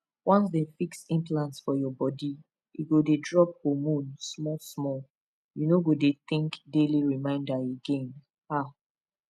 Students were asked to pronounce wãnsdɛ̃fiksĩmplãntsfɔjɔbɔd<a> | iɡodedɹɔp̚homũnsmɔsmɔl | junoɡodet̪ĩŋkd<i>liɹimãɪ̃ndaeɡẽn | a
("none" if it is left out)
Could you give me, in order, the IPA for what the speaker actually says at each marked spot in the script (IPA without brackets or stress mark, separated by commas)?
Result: i, e